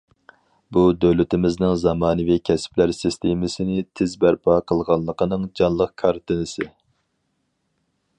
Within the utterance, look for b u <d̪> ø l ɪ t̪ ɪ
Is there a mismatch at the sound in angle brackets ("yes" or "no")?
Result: no